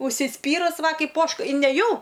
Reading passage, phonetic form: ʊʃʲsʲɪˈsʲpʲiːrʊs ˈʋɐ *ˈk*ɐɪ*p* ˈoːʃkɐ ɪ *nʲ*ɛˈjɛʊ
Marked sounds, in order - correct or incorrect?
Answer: correct, correct, correct

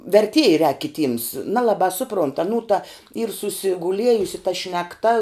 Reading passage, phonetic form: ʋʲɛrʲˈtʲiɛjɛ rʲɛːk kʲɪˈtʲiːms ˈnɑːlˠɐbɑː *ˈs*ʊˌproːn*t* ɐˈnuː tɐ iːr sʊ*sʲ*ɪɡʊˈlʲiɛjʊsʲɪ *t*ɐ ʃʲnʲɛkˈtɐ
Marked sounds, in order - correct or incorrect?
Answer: correct, correct, correct, correct

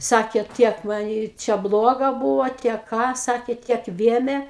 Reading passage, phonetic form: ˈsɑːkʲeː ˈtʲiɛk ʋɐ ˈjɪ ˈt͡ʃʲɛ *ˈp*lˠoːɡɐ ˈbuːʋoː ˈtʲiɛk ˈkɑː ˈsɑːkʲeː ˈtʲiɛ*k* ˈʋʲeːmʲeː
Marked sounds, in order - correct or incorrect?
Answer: incorrect, correct

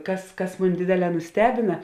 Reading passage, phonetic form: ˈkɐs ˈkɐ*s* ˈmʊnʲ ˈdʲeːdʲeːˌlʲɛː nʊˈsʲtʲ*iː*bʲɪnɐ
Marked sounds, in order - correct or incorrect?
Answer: correct, incorrect

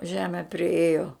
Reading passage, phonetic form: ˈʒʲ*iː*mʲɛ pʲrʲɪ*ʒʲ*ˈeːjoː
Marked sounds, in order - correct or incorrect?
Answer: incorrect, incorrect

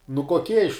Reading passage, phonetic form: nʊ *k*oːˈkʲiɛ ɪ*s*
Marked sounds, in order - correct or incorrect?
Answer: correct, incorrect

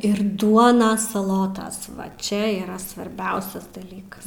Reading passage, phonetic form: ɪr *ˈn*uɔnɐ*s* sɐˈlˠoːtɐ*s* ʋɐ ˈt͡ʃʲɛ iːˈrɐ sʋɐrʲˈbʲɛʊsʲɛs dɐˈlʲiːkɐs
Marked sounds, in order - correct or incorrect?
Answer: incorrect, correct, correct

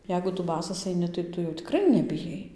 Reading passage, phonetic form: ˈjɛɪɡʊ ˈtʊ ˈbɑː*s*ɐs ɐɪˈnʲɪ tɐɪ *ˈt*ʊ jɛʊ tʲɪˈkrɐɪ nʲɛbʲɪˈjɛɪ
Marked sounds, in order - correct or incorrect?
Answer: correct, correct

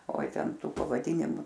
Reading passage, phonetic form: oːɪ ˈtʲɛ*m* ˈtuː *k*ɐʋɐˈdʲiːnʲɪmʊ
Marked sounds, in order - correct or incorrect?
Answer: incorrect, incorrect

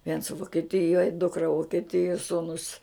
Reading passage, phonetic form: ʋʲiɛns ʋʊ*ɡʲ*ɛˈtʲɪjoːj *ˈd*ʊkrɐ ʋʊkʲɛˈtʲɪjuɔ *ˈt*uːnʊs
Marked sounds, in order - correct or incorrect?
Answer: incorrect, correct, incorrect

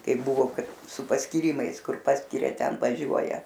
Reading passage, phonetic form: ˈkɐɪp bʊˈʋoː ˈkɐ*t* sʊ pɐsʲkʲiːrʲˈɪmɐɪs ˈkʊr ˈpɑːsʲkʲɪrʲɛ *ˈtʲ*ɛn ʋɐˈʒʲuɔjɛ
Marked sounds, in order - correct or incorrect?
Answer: correct, correct

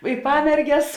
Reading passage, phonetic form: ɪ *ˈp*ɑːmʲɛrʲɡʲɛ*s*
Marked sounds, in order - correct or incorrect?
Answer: correct, correct

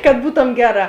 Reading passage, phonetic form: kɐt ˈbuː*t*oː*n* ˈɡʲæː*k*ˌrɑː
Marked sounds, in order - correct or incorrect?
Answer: correct, incorrect, incorrect

